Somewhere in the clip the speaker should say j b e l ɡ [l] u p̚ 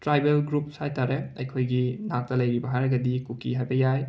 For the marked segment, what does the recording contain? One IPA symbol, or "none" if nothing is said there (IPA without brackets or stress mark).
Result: ɾ